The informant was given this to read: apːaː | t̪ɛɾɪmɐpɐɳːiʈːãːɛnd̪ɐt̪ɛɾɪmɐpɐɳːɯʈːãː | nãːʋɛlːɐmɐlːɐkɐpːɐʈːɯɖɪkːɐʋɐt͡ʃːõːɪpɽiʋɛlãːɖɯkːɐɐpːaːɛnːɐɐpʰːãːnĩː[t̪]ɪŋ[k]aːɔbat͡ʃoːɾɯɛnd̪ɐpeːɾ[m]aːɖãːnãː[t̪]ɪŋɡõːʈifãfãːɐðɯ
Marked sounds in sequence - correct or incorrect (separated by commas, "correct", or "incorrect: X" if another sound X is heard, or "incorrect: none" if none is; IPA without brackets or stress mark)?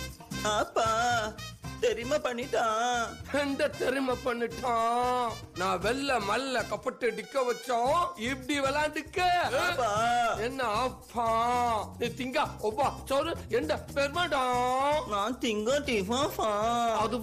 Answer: correct, incorrect: ɡ, correct, correct